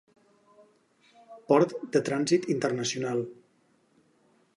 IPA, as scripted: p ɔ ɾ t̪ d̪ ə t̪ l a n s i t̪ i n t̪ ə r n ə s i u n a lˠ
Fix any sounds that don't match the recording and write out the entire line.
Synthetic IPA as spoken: p ɔ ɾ t̪ d̪ ə t̪ ɾ a n z i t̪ i n t̪ ə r n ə s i u n a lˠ